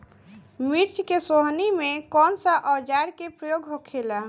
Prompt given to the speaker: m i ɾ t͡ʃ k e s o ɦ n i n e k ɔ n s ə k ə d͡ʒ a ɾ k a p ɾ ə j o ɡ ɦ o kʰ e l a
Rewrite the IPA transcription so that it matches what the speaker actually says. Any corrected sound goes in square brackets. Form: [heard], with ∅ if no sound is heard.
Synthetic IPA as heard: m i ɾ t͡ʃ k e s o ɦ n i [m] e k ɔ n s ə [ʔ] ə d͡ʒ a ɾ k [e] p ɾ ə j o ɡ ɦ o kʰ e l a